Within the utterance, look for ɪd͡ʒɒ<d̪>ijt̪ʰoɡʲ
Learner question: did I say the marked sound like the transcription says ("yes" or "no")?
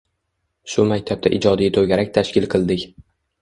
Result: yes